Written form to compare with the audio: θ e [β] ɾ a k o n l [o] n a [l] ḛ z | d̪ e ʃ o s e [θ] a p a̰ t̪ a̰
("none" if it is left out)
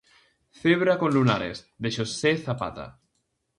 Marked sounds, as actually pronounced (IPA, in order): β, u, ɾ, θ

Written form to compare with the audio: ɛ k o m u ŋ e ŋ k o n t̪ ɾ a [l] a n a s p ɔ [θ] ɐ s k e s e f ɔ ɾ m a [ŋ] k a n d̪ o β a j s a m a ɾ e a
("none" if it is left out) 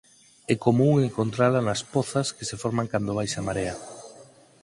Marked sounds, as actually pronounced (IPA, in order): l, θ, ŋ

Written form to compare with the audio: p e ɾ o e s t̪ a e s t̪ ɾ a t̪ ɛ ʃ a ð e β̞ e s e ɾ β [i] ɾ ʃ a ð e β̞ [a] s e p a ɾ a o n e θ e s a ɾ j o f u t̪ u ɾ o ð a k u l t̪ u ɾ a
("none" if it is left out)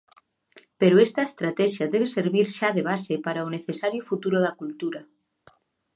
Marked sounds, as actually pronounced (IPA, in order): i, a

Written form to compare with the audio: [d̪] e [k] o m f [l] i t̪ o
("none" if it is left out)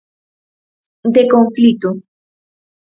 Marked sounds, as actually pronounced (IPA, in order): d̪, k, l

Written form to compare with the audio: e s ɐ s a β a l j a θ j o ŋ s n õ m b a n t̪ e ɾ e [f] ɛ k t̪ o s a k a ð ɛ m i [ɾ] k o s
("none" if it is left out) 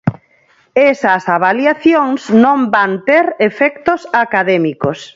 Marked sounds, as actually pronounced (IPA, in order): f, none

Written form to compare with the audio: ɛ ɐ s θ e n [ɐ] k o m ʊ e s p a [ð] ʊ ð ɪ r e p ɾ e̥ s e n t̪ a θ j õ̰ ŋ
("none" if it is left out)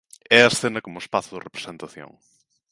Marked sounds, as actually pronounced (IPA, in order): ɐ, θ

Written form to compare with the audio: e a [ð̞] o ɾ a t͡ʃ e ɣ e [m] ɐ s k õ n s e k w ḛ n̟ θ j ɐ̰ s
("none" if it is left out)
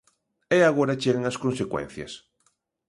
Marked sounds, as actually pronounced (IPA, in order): ɣ̞, ŋ

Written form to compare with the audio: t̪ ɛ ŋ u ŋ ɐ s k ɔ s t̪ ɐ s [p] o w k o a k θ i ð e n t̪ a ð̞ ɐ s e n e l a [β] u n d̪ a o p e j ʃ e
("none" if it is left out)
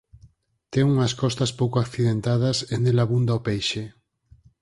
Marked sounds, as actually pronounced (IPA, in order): p, β

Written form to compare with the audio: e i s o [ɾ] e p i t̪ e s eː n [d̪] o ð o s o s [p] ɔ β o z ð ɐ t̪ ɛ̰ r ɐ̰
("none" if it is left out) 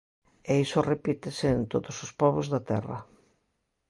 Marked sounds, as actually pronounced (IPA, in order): r, t̪, p

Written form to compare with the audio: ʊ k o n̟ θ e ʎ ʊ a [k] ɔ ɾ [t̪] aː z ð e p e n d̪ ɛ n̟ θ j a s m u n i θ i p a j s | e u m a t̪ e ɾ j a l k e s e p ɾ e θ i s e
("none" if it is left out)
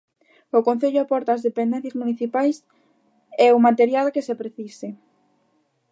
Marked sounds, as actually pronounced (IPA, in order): p, t̪

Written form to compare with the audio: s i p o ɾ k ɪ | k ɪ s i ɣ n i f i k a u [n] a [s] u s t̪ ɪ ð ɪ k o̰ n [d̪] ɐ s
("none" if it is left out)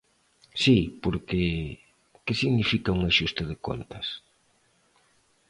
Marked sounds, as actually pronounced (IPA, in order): ŋ, ʃ, t̪

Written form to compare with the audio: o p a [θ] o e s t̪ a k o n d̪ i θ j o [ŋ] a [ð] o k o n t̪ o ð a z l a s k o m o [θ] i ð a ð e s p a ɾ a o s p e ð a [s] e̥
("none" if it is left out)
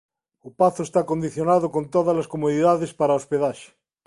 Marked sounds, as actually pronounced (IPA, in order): θ, n, ð, ð, ʃ

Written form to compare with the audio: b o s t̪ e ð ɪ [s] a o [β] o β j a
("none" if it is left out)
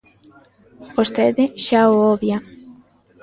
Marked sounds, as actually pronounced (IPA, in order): ʃ, none

